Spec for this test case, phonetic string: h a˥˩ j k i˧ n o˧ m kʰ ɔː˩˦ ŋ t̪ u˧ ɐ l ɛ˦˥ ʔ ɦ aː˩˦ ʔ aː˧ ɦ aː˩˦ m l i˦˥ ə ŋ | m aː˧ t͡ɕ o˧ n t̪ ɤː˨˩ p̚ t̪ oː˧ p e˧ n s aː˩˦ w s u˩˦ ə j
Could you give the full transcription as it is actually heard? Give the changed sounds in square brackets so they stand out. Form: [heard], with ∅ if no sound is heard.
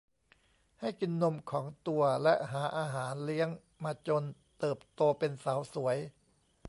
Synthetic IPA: h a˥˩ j k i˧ [nː] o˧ m kʰ ɔː˩˦ ŋ t̪ u˧ ɐ l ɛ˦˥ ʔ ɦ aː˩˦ ʔ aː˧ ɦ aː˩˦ [n] l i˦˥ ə ŋ | m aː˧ t͡ɕ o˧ n t̪ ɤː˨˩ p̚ t̪ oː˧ p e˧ n s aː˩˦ w s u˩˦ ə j